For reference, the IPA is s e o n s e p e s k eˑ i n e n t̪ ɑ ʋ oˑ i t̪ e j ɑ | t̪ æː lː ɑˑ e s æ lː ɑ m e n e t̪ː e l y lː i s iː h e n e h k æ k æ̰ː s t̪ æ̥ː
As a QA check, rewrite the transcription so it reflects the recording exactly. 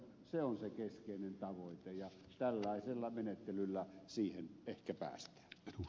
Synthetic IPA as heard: s e o n s e k e s k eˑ i n e n t̪ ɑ ʋ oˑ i t̪ e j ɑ | t̪ æ lː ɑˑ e s e lː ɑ m e n e t̪ː e l y lː æ s iː h e n e h k æ p æ̰ː s t̪ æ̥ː